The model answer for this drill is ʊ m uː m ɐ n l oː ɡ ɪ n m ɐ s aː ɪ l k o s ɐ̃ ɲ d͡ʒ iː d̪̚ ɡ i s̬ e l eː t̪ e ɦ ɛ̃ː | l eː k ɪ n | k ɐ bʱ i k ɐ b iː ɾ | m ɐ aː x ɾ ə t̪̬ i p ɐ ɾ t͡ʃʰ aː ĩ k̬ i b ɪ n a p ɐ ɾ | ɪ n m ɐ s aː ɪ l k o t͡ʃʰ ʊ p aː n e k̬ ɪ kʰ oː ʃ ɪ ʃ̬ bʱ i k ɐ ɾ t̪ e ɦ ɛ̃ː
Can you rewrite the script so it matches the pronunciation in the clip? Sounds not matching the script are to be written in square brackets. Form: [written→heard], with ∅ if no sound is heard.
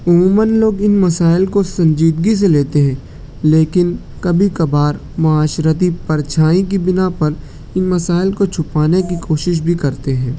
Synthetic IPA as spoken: ʊ m uː m [ɐ→ə] n l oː ɡ ɪ n m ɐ s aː ɪ l k o s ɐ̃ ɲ d͡ʒ iː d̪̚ ɡ i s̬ e l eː t̪ e ɦ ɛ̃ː | l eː k ɪ n | k ɐ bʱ i k ɐ b [iː→aː] ɾ | m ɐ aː [x→ʃ] ɾ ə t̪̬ i p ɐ ɾ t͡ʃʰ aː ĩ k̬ i b ɪ n a p ɐ ɾ | ɪ n m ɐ s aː ɪ l k o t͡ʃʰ ʊ p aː n e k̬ [ɪ→i] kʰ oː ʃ ɪ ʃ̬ bʱ i k ɐ ɾ t̪ e ɦ ɛ̃ː